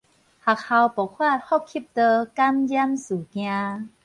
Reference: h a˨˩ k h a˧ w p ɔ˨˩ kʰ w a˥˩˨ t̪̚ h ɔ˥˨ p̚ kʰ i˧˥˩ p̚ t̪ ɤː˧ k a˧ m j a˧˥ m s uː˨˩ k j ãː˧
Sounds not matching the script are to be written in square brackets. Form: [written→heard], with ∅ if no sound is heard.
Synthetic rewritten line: h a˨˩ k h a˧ w p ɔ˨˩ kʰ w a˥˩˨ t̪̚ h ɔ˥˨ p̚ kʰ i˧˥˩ p̚ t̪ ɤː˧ k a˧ m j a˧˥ m s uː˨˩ k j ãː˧